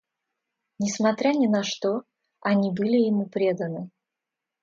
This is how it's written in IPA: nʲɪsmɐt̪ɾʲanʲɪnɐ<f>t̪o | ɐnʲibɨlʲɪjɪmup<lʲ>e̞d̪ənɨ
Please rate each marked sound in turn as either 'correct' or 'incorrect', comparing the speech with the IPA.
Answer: incorrect: ʂ, incorrect: ɾʲ

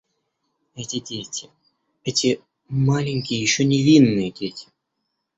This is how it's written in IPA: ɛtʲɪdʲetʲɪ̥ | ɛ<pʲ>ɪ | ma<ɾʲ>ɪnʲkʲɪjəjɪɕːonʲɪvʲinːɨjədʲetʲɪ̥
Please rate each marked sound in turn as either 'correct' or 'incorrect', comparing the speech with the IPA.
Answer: incorrect: tʲ, incorrect: lʲ

